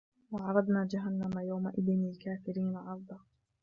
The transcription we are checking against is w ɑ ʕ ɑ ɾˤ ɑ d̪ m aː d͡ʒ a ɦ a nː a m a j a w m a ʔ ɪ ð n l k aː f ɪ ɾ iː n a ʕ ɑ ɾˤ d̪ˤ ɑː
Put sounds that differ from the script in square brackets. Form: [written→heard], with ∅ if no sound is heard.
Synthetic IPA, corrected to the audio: w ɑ ʕ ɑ ɾˤ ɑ d̪ [m→n] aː d͡ʒ a ɦ a nː a m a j a w m a ʔ ɪ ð n l k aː f ɪ ɾ iː n a ʕ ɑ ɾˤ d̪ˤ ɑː